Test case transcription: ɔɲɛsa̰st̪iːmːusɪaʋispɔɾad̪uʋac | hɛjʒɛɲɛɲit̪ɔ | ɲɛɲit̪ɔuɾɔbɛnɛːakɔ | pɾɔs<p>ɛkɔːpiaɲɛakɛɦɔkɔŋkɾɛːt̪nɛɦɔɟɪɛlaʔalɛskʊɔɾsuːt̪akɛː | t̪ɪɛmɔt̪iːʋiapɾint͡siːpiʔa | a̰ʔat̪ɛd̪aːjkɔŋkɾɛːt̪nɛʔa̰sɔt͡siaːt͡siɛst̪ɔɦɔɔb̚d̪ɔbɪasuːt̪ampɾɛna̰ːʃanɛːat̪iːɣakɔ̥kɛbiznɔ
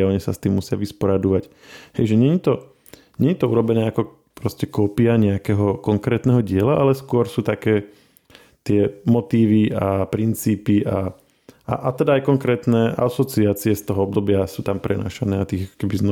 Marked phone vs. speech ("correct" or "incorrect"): incorrect